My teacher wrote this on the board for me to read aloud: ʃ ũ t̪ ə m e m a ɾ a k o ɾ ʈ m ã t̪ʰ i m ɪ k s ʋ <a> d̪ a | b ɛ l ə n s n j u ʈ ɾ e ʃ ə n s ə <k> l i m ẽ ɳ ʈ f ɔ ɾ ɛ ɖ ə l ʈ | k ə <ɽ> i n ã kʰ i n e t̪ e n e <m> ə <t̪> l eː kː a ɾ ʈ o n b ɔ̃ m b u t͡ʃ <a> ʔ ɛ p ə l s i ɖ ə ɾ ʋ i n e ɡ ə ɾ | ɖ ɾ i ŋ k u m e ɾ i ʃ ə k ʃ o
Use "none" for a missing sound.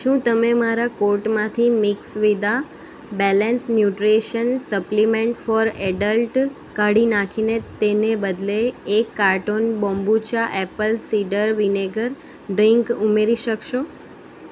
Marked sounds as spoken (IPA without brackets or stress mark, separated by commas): i, p, ɽ, b, d̪, a